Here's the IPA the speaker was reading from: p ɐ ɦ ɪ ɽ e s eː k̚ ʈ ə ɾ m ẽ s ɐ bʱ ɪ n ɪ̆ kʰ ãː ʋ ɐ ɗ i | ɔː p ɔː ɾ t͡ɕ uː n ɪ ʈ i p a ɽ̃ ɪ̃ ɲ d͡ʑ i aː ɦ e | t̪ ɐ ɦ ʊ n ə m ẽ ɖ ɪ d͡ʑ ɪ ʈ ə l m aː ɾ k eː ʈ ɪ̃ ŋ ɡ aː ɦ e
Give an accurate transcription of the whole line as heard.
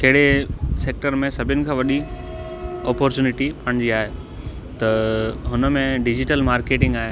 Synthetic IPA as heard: k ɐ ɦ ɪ ɽ e s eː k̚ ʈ ə ɾ m ẽ s ɐ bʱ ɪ n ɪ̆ kʰ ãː ʋ ɐ ɗ i | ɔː p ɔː ɾ t͡ɕ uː n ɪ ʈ i p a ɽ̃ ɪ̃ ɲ d͡ʑ i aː ɦ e | t̪ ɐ ɦ ʊ n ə m ẽ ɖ ɪ d͡ʑ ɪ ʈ ə l m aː ɾ k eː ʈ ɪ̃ ŋ ɡ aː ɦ e